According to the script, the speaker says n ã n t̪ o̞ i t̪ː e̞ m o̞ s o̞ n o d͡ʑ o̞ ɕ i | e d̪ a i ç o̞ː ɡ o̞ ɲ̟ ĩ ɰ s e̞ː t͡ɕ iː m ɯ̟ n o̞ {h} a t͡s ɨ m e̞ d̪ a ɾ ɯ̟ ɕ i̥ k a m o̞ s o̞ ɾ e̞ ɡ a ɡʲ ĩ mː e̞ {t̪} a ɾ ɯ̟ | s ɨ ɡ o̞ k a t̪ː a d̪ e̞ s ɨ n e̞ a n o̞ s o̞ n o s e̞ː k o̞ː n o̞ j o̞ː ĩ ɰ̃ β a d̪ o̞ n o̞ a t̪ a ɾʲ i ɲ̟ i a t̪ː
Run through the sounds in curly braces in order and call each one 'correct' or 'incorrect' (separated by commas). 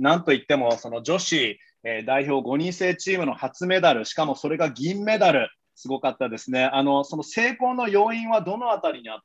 correct, incorrect